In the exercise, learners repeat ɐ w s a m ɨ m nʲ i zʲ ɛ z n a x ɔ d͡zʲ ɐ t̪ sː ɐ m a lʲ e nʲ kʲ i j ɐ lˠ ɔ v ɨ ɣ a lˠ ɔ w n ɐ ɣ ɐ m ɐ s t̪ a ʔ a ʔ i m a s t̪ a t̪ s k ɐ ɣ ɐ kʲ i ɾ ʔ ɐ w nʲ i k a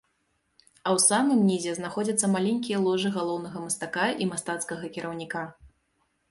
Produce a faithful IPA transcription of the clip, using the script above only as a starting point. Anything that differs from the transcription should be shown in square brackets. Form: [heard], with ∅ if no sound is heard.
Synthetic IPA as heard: ɐ w s a m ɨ m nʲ i zʲ ɛ z n a x ɔ d͡zʲ ɐ t̪ sː ɐ m a lʲ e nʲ kʲ i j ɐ lˠ ɔ [ʐ] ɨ ɣ a lˠ ɔ w n ɐ ɣ ɐ m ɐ s t̪ a [k] a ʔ i m a s t̪ a t̪ s k ɐ ɣ ɐ kʲ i ɾ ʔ ɐ w nʲ i k a

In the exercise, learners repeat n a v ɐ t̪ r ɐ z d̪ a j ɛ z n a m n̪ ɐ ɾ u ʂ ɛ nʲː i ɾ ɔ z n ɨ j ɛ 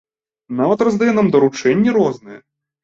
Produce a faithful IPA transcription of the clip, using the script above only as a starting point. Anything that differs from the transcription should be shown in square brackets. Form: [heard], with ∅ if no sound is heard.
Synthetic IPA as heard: n a v ɐ t̪ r ɐ z d̪ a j ɛ [∅] n a m [d̪] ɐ ɾ u [t͡ʂ] ɛ nʲː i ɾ ɔ z n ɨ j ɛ

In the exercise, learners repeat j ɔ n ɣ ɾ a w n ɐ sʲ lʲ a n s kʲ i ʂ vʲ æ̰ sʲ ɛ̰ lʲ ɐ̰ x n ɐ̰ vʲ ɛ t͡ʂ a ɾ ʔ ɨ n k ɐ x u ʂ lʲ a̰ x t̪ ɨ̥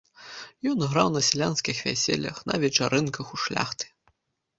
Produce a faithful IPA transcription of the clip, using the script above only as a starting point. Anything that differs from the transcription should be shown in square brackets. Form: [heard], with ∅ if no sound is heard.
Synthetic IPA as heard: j ɔ n ɣ ɾ a w n ɐ sʲ lʲ a n s kʲ i [x] vʲ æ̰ sʲ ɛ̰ lʲ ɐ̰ x n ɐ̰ vʲ ɛ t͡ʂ a ɾ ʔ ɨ n k ɐ x u ʂ lʲ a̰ x t̪ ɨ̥

